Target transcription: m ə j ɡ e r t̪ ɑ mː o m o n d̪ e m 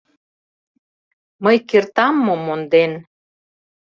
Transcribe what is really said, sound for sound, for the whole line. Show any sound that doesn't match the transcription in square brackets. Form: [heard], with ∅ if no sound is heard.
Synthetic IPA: m ə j [k] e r t̪ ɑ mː o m o n d̪ e [n]